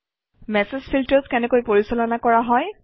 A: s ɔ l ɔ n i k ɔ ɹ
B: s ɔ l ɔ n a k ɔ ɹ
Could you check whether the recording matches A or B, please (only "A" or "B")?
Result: B